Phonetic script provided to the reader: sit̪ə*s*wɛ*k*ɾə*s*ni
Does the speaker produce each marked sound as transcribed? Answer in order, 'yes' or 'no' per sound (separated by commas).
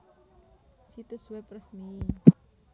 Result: yes, no, yes